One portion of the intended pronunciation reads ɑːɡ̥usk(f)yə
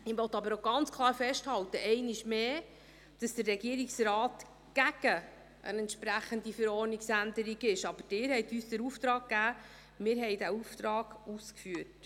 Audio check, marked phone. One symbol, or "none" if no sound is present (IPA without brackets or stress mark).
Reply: f